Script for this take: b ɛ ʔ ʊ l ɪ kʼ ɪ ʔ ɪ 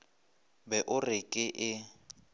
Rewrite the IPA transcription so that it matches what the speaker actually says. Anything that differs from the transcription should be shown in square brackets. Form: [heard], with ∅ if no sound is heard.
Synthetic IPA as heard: b ɛ ʔ ʊ [r] ɪ kʼ ɪ ʔ ɪ